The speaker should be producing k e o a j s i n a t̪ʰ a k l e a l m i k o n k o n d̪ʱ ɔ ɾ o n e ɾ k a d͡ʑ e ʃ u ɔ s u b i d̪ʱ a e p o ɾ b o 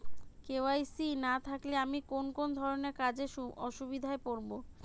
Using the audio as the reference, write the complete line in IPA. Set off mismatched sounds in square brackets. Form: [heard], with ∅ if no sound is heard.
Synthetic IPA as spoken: k e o a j s i n a t̪ʰ a k l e a [∅] m i k o n k o n d̪ʱ ɔ ɾ o n e ɾ k a d͡ʑ e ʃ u ɔ [ʃ] u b i d̪ʱ a e p o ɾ b o